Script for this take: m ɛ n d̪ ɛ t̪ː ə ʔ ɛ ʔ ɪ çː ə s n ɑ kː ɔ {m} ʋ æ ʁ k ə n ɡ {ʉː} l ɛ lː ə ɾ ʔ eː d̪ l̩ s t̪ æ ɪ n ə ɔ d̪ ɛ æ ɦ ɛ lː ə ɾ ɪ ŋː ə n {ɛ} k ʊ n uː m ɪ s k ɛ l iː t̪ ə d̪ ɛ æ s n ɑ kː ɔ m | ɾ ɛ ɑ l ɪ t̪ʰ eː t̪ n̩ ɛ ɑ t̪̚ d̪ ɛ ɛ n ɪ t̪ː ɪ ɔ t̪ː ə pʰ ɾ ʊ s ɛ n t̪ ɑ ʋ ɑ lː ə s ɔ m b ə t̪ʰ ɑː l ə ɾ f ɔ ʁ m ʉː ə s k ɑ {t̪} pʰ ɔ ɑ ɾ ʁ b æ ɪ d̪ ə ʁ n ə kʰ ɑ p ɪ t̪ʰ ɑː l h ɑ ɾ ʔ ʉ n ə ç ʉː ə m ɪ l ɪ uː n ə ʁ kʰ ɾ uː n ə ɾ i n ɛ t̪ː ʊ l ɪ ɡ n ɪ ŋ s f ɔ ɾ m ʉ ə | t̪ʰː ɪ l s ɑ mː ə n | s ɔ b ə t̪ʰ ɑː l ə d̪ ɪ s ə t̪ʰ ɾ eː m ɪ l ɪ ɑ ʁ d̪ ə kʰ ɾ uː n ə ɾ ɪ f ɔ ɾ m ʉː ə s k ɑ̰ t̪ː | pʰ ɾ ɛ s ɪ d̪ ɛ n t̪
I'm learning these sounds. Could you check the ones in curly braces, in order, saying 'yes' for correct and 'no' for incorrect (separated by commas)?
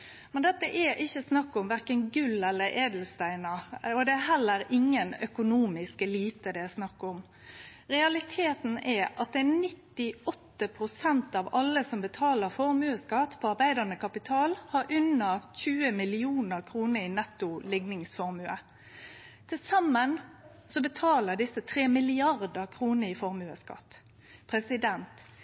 yes, no, no, yes